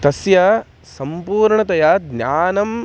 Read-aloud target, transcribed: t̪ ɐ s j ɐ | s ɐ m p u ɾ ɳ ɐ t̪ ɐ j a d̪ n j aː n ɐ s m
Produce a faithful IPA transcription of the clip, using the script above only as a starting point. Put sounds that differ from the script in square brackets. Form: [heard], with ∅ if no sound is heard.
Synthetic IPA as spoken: t̪ ɐ s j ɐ | s ɐ m p [uː] ɾ ɳ ɐ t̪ ɐ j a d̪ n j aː n ɐ [∅] m